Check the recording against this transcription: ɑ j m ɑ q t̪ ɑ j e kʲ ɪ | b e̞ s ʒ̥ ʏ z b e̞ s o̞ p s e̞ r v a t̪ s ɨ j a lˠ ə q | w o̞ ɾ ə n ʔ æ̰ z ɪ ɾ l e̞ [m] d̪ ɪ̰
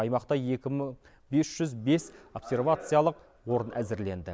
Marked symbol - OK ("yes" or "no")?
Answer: no